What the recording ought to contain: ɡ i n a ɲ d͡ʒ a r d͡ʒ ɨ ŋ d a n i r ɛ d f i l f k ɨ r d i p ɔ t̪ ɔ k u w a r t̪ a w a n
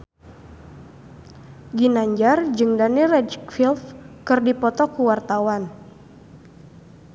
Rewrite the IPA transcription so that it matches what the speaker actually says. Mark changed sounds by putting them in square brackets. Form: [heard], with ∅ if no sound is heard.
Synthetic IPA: ɡ i n a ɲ d͡ʒ a r d͡ʒ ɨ ŋ d a n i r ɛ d f i l f k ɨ r d i p ɔ t̪ ɔ k u w a r t̪ a w a n